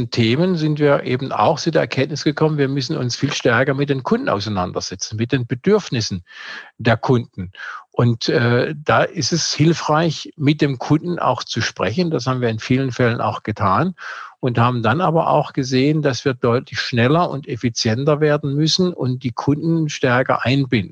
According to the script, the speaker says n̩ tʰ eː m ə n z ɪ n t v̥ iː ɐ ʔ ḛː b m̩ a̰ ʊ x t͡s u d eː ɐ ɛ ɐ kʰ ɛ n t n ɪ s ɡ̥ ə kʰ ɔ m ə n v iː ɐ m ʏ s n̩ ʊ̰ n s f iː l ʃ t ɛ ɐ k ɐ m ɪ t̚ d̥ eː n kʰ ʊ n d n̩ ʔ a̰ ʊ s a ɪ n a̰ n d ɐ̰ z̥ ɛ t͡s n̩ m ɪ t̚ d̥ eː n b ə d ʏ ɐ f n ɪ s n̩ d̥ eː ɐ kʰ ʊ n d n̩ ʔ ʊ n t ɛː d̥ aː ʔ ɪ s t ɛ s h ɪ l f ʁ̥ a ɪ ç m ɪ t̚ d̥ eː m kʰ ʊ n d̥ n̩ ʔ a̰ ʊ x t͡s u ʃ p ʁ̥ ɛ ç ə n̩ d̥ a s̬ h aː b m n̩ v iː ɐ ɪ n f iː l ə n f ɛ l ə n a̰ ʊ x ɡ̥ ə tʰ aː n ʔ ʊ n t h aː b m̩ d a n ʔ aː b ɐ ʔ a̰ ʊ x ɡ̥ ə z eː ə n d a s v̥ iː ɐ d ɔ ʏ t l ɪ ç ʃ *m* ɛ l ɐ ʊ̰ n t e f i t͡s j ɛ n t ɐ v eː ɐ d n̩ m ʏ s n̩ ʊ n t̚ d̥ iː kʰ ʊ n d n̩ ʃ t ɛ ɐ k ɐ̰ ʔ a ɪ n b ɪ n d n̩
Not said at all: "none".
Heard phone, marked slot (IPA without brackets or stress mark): n